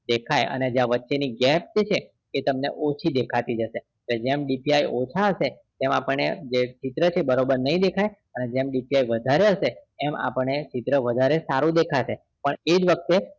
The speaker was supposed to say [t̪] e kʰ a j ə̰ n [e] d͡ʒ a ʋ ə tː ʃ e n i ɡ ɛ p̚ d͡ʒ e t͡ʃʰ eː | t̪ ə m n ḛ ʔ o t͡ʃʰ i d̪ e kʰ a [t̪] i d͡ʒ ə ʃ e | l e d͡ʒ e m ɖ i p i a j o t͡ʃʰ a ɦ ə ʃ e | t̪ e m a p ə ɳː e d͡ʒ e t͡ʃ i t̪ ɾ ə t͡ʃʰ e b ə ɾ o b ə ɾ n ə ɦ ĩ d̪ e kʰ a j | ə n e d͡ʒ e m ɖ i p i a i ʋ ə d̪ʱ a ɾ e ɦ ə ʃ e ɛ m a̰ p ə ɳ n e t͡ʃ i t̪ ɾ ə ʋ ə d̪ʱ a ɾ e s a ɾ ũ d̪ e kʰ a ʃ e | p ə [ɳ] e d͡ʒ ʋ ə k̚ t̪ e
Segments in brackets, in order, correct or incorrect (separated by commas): incorrect, correct, correct, correct